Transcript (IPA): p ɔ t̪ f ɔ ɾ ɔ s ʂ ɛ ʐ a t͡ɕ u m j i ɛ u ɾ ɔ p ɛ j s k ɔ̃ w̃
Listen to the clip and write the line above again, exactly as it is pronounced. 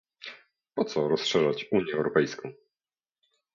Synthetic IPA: p ɔ t̪ s ɔ ɾ ɔ s ʂ ɛ ʐ a t͡ɕ u ɲ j ɛ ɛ w ɾ ɔ p ɛ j s k ɔ̃ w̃